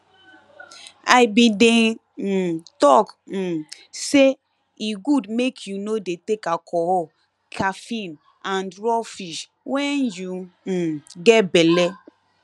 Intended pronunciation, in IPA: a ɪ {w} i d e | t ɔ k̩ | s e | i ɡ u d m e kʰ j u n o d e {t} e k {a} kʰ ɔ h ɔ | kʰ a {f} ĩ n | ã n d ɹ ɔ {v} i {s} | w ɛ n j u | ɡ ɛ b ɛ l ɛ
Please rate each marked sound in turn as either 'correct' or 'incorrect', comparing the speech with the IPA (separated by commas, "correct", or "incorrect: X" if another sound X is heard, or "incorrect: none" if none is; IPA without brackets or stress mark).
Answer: incorrect: b, correct, correct, correct, incorrect: f, incorrect: ʃ